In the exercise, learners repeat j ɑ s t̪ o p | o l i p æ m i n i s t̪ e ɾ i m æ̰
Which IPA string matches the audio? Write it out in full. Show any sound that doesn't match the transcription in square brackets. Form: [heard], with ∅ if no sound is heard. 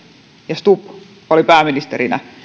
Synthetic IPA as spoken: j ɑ s t̪ [u] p | o l i p [æː] m i n i s t̪ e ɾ i [n] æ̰